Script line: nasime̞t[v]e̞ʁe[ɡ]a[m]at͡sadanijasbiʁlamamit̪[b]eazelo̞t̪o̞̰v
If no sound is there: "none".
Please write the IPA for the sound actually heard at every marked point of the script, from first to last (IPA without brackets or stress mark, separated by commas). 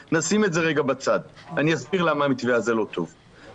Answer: z, ɡ, b, v